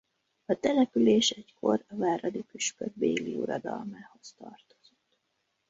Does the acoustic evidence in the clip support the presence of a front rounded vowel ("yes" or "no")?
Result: yes